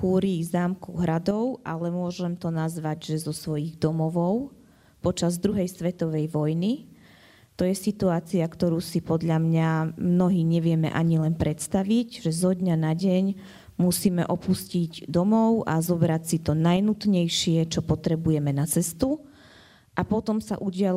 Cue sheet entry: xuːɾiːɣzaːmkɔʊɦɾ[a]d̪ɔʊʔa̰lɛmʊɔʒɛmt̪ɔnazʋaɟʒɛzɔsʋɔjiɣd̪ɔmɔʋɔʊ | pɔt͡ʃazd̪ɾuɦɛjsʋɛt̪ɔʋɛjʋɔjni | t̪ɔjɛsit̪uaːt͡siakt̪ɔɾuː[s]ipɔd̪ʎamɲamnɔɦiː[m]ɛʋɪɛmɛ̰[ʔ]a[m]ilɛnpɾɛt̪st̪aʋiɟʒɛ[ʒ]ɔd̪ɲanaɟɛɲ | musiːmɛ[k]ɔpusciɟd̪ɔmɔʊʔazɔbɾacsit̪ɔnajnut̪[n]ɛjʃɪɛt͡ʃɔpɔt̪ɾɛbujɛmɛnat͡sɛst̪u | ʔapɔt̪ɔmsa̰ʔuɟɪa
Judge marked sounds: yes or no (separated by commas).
yes, yes, no, yes, no, no, no, no